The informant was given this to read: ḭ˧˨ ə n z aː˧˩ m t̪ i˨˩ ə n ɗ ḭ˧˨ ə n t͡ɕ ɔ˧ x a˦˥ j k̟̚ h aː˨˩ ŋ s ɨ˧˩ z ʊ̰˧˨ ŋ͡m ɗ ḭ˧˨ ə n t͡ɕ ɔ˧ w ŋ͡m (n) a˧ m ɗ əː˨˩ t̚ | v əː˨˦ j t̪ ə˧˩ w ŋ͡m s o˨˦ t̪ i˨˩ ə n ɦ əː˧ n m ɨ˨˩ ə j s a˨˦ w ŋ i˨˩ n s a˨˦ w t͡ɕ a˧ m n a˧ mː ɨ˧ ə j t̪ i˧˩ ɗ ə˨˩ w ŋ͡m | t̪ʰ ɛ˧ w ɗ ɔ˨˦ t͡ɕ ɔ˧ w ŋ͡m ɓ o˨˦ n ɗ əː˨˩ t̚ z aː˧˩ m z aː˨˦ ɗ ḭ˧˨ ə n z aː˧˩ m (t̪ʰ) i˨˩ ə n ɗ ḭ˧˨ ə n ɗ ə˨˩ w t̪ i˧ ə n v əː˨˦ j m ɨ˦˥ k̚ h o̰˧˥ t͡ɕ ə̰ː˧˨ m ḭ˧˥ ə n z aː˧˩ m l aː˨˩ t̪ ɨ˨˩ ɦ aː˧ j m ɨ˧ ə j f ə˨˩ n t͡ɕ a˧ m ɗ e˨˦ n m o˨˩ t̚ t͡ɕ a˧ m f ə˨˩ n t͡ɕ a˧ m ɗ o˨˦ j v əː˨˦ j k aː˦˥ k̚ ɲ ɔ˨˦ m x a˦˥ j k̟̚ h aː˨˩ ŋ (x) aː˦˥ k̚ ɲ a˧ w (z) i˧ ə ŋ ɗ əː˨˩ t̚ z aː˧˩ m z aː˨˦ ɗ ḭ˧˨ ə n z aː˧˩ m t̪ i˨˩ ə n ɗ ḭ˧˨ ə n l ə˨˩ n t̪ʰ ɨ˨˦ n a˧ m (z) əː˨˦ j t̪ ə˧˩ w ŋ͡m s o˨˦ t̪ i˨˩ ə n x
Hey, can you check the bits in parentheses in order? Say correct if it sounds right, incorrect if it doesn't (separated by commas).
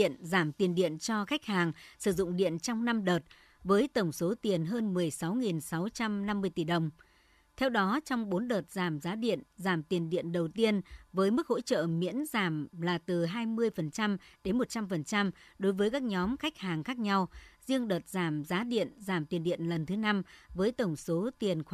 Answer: correct, incorrect, correct, correct, incorrect